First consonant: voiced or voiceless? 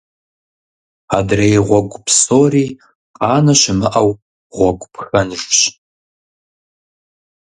voiced